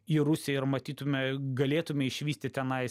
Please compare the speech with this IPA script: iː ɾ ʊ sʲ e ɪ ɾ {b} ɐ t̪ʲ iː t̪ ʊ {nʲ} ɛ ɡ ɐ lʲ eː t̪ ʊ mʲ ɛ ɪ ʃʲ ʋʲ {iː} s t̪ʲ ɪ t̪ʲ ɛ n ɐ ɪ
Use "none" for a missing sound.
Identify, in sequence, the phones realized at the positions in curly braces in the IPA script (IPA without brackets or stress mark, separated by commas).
m, mʲ, iː